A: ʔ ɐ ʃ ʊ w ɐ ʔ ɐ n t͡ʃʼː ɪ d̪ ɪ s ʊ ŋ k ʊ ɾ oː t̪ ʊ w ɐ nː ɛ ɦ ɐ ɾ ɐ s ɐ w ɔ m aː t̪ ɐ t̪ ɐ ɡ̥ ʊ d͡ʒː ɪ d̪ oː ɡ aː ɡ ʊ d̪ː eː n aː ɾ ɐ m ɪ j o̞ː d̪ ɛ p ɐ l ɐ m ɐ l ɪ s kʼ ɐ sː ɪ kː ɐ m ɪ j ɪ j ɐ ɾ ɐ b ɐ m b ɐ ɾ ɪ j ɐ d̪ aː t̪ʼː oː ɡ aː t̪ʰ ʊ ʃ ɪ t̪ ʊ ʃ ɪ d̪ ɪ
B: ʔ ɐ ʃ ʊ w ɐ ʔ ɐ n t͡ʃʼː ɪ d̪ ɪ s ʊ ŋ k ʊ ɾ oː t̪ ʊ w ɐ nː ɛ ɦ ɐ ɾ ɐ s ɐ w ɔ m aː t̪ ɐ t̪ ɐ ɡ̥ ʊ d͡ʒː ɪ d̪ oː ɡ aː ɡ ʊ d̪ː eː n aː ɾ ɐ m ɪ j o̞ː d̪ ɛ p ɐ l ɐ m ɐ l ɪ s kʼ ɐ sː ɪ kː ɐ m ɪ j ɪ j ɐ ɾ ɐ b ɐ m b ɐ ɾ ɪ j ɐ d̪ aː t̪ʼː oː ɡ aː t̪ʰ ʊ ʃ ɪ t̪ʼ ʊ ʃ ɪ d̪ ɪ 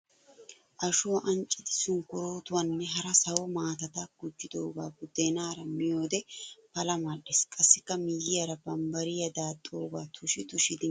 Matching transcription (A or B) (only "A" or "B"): A